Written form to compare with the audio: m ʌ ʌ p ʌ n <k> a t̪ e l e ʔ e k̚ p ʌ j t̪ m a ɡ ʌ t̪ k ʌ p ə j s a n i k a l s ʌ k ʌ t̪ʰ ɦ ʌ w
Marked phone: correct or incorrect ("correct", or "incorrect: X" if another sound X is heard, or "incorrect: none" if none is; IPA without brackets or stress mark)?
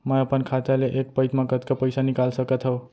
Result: incorrect: kʰ